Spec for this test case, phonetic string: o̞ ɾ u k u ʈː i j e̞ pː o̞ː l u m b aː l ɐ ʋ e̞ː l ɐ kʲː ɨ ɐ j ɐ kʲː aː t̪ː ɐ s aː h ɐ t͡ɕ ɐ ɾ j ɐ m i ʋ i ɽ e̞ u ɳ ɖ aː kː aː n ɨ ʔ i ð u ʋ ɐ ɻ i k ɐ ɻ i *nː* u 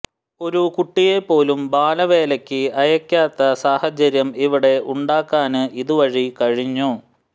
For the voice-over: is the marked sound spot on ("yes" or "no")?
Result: no